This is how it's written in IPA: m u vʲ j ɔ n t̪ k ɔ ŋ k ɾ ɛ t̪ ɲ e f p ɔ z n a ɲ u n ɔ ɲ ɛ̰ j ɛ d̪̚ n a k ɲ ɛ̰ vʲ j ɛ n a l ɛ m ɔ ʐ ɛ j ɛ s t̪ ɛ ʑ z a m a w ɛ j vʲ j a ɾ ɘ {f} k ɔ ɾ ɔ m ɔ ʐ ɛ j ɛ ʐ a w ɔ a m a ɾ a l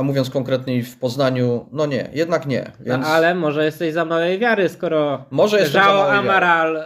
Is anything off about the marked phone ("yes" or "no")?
yes